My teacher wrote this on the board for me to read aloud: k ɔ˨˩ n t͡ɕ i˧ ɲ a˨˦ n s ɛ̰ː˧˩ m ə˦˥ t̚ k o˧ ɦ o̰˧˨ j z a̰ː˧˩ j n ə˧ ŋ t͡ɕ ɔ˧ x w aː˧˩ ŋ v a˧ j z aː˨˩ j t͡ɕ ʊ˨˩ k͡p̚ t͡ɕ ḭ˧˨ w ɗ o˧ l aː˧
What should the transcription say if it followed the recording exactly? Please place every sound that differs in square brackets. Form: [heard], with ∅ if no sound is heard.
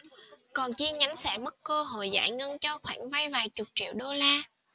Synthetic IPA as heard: k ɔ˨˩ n t͡ɕ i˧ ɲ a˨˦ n s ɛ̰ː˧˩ m ə˦˥ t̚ k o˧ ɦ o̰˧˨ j z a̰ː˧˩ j [ŋ] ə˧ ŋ t͡ɕ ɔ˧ x w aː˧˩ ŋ v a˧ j [v] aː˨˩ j t͡ɕ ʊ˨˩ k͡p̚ t͡ɕ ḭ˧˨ w ɗ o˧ l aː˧